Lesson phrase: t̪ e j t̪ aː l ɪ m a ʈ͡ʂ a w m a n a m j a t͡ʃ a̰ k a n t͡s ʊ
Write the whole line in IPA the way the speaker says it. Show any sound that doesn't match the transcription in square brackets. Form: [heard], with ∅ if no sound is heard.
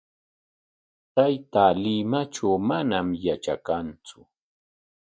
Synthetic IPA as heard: t̪ [a] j t̪ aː l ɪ m a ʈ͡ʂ a w m a n a m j a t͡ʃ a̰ k a n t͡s ʊ